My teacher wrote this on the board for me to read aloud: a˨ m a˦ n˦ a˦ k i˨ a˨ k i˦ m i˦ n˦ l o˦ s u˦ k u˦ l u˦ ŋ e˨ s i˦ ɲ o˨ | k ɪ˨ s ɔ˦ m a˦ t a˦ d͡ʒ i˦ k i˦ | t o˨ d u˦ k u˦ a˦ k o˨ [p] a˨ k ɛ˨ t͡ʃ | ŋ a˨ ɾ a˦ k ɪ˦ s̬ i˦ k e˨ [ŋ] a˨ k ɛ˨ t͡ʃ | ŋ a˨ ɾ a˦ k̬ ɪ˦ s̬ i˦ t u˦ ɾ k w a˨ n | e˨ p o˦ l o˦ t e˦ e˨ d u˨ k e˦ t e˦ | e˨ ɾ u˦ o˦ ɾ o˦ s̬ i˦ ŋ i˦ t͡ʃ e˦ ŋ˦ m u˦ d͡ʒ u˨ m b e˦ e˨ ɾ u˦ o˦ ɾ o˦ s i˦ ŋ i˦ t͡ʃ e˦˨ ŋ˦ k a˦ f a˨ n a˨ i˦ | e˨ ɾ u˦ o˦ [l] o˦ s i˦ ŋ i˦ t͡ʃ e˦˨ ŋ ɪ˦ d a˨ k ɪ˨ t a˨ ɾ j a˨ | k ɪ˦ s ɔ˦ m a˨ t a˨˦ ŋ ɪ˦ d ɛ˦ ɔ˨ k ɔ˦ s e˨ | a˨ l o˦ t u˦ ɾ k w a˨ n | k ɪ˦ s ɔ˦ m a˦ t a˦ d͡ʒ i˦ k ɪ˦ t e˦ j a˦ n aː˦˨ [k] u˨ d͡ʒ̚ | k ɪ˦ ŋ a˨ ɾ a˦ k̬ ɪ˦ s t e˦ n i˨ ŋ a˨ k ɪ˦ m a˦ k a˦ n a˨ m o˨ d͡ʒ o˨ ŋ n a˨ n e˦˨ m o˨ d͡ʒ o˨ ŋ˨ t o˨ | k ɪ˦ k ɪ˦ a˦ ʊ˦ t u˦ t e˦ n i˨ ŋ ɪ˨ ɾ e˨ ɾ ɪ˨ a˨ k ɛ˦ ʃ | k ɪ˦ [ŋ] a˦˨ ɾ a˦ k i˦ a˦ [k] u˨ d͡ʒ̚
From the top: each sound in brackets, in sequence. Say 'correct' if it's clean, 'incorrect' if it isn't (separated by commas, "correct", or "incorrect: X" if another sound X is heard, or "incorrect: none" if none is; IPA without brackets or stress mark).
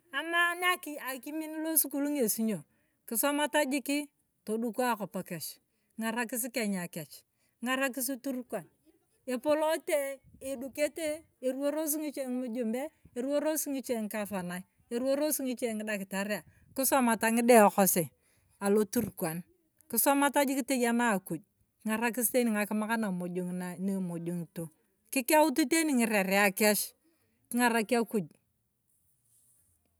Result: correct, incorrect: ɲ, incorrect: ɾ, correct, correct, correct